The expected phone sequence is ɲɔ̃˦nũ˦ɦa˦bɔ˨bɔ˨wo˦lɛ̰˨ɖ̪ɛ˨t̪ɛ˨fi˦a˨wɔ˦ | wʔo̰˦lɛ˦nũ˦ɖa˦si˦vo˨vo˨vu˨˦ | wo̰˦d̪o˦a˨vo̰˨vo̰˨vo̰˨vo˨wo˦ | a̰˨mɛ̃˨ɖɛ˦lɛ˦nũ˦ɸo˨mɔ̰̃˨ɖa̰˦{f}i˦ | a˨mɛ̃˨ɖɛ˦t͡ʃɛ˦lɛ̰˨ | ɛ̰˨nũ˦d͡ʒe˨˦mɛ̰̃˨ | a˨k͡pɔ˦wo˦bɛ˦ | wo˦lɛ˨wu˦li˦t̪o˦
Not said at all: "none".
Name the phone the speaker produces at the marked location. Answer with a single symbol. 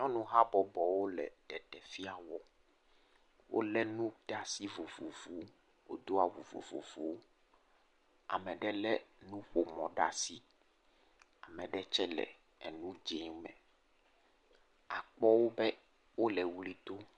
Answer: s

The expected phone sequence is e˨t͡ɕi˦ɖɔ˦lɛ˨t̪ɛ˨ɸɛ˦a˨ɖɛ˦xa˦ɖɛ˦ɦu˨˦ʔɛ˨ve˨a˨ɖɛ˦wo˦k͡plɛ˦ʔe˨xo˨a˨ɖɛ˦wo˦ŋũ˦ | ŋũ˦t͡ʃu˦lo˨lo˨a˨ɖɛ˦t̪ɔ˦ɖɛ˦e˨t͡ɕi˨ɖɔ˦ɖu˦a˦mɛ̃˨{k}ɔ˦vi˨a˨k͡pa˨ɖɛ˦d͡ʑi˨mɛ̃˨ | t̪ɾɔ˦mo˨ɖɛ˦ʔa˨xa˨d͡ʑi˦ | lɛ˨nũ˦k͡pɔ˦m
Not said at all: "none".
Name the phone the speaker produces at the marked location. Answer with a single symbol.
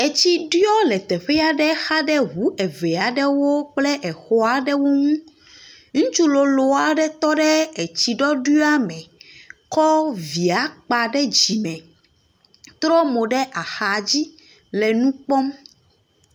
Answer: k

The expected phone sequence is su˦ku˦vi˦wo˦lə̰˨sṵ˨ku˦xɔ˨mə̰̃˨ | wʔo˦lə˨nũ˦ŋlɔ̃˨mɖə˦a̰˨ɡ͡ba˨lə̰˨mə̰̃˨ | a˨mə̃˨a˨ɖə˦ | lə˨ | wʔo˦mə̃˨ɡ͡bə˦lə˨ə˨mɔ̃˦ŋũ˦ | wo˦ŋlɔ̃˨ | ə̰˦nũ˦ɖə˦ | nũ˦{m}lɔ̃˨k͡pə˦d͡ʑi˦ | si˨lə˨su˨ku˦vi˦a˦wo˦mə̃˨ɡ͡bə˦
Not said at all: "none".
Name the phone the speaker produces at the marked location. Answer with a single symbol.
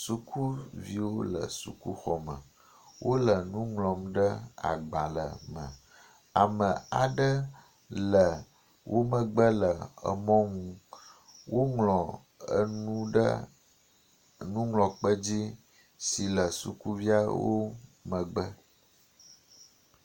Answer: ŋ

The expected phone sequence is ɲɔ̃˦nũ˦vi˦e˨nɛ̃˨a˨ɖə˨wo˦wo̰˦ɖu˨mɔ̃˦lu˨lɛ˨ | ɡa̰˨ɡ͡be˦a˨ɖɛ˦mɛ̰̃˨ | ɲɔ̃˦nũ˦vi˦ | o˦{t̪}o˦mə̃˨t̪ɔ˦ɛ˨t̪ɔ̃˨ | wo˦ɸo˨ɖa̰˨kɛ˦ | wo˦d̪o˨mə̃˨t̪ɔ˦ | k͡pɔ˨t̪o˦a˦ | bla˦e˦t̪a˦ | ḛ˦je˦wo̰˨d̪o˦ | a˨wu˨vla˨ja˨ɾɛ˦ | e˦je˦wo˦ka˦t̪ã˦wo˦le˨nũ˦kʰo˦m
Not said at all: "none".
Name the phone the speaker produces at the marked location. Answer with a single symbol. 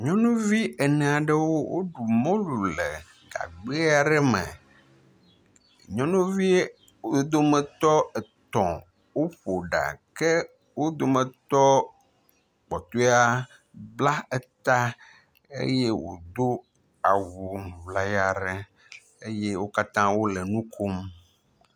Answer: d̪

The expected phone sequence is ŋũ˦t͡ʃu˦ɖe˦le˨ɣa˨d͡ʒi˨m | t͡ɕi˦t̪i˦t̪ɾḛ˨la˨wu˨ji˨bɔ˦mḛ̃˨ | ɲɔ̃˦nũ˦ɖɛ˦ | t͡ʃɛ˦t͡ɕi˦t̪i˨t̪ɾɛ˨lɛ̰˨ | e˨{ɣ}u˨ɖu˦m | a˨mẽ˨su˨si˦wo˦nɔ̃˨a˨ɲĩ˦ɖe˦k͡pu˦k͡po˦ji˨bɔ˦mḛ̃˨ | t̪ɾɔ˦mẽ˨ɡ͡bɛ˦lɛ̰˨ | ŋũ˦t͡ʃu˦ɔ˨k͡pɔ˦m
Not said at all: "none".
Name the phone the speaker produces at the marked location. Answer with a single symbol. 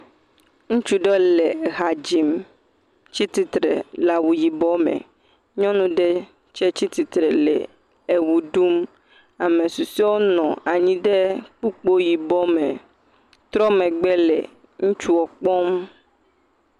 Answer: w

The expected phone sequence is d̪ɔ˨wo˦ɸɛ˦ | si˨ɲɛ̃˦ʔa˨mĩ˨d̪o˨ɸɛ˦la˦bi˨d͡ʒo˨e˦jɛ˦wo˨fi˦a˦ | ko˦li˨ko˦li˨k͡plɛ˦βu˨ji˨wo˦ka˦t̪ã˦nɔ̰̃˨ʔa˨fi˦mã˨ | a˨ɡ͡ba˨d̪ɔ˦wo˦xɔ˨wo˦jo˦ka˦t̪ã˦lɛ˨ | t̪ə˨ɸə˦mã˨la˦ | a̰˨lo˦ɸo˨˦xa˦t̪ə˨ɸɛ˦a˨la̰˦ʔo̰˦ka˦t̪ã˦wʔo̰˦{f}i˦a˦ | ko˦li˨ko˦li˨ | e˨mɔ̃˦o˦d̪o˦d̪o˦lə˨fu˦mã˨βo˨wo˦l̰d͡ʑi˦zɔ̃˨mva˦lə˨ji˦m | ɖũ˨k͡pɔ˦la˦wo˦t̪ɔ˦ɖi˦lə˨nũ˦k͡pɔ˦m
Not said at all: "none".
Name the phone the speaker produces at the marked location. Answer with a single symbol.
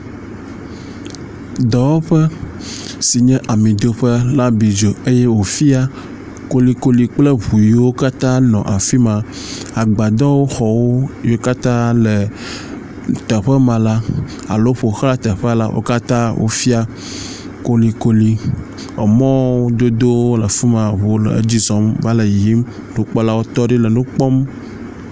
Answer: f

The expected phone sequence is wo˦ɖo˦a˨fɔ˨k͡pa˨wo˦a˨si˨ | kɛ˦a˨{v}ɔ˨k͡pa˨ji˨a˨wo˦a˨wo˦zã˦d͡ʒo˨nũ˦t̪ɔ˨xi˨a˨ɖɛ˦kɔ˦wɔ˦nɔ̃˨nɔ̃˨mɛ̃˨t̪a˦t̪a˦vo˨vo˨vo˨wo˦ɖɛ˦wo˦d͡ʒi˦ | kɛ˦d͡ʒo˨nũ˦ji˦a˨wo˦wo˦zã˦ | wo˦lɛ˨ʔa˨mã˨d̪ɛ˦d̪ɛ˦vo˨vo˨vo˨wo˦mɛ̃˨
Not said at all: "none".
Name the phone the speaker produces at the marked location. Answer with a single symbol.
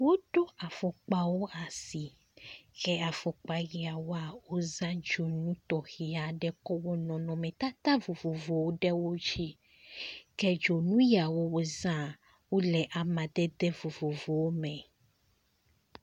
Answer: f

